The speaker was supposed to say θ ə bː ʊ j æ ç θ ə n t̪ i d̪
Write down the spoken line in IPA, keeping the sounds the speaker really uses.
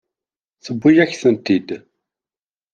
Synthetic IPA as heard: θ ə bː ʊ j æ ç θ ə n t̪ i d̪